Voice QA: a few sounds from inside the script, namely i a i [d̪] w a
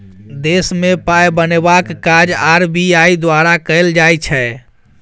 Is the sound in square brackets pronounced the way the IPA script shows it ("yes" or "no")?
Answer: yes